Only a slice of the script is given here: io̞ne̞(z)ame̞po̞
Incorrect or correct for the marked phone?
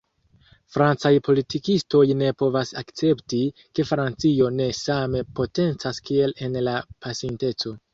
incorrect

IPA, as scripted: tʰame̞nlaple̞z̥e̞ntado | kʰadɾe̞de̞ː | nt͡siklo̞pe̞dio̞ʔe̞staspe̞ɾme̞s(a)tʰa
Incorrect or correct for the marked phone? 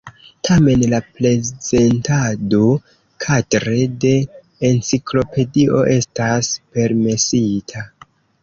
incorrect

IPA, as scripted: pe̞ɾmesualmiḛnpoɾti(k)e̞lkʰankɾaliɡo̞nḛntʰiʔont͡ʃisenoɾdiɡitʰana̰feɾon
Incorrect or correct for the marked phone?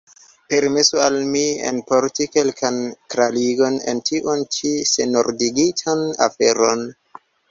correct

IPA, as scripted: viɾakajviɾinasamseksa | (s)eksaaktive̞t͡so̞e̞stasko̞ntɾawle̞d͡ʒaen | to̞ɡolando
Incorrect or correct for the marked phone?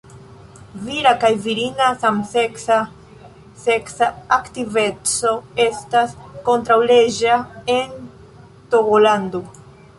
correct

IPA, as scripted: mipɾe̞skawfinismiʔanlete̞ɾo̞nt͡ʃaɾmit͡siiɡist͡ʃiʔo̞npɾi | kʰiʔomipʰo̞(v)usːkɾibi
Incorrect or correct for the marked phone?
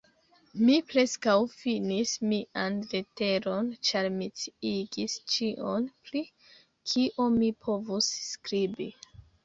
correct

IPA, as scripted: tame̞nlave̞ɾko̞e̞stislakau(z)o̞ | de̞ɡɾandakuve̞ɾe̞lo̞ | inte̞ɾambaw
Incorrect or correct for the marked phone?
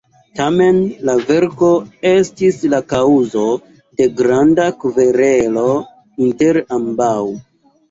correct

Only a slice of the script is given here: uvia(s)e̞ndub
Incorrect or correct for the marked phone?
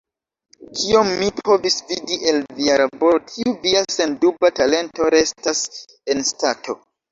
correct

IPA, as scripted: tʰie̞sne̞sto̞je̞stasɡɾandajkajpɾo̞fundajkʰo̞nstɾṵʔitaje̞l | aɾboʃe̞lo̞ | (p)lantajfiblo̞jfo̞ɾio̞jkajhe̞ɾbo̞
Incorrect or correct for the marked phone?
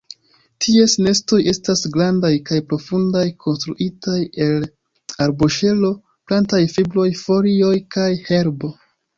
correct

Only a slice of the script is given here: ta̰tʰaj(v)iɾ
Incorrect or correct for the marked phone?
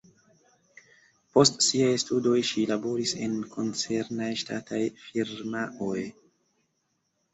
incorrect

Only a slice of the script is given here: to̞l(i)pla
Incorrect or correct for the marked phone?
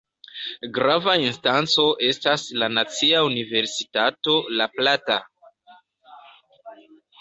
incorrect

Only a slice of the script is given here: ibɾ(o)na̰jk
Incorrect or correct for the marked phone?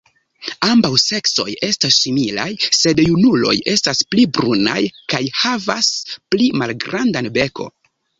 incorrect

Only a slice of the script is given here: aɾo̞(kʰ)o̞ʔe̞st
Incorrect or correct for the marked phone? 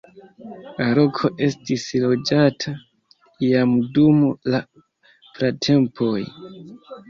correct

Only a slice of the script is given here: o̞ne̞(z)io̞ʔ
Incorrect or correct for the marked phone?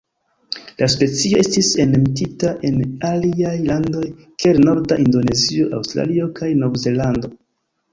correct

